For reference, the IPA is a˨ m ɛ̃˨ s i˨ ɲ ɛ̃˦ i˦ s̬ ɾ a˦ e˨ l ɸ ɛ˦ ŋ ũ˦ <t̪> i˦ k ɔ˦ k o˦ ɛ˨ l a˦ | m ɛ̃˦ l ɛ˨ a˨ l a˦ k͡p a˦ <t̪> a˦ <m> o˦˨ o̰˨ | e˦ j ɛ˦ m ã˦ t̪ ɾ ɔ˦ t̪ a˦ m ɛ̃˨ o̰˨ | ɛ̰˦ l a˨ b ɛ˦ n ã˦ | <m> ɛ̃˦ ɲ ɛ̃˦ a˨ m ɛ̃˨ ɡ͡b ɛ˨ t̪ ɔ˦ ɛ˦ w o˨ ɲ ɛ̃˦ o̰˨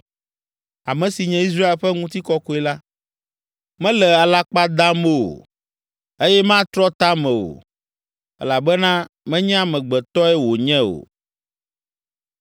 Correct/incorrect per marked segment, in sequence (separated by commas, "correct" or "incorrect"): correct, incorrect, correct, correct